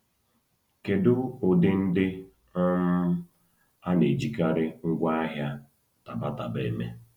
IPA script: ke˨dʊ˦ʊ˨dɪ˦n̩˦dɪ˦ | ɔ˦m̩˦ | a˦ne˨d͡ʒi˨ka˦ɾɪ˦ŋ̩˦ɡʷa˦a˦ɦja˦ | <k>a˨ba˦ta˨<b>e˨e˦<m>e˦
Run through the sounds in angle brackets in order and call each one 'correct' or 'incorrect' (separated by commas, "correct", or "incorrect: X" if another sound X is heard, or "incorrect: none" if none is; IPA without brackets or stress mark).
incorrect: t, correct, correct